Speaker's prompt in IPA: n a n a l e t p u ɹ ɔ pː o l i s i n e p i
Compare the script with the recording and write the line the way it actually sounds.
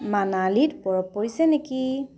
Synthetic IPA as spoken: m a n a l i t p ɔ ɹ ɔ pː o ɹ i s ɛ n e k i